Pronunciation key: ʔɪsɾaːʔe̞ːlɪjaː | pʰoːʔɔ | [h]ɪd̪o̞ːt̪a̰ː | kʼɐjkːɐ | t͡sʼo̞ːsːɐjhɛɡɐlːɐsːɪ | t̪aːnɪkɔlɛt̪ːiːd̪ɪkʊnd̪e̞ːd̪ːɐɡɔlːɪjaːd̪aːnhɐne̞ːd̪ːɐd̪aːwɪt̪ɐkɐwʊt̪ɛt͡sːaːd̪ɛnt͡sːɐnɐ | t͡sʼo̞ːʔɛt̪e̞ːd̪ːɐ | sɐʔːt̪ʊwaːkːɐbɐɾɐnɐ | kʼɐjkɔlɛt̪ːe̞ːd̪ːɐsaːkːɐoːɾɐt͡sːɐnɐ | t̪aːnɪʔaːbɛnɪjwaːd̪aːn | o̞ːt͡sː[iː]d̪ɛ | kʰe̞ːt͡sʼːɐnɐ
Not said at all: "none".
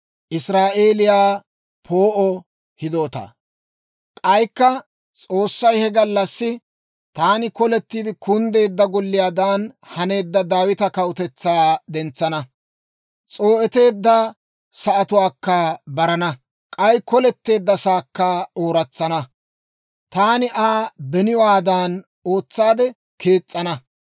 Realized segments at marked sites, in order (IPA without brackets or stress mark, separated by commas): h, aː